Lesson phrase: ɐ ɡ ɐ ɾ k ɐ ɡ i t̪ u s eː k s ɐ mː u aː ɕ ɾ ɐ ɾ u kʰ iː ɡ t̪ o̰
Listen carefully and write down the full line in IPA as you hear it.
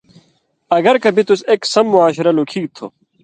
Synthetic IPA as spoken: ɐ ɡ ɐ ɾ k ɐ b i t̪ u s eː k s ɐ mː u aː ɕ ɾ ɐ l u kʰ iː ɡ t̪ʰ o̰